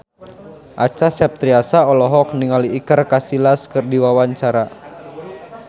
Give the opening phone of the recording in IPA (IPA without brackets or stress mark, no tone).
ʔ